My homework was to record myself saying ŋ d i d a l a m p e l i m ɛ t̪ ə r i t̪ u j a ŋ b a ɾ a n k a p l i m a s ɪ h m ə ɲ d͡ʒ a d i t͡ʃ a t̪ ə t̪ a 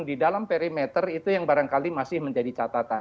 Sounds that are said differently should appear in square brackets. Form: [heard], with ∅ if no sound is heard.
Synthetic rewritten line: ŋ d i d a l a m p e [ɾ] i m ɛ t̪ ə r i t̪ u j a ŋ b a ɾ a [ŋ] k a [∅] l i m a s ɪ h m ə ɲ d͡ʒ a d i t͡ʃ a t̪ [a] t̪ a